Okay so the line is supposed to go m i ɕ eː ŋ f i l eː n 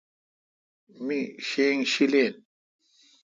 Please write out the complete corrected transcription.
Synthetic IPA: m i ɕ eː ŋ ɕ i l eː n